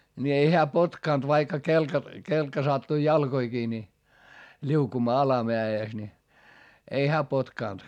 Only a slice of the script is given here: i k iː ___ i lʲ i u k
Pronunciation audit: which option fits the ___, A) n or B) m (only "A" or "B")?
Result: A